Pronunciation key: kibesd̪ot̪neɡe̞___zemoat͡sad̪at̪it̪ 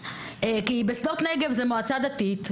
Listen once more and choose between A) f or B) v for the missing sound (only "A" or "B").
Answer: B